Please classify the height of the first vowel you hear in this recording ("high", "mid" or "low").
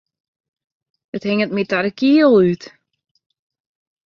mid